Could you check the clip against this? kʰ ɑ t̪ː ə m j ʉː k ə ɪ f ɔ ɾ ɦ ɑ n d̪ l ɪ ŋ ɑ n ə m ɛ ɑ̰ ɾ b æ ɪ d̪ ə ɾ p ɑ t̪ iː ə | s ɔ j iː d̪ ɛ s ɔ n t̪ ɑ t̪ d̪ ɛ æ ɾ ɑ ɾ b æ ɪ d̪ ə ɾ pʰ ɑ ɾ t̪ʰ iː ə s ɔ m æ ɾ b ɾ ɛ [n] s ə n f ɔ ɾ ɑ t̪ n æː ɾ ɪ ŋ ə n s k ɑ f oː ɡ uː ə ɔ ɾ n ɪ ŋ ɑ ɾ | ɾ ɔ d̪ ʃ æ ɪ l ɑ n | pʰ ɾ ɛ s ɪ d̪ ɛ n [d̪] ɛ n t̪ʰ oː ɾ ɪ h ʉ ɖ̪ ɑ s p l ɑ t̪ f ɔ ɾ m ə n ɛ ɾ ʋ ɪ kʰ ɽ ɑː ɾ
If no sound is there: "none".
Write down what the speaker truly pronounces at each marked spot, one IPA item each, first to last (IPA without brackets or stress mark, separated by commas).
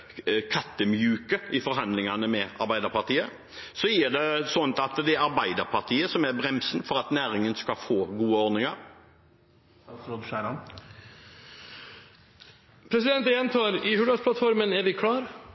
m, t̪